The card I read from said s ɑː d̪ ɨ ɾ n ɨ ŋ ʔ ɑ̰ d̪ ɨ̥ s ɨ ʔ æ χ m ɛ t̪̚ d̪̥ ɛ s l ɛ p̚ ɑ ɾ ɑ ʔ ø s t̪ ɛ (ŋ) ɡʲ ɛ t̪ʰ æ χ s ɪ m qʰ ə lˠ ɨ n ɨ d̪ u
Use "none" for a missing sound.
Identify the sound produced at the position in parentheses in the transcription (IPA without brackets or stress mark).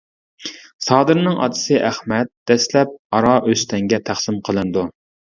ŋ